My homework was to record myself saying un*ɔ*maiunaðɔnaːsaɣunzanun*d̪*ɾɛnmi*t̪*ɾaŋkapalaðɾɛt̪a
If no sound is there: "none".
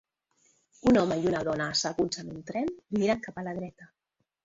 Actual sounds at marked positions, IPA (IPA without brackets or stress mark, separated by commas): ɔ, t̪, none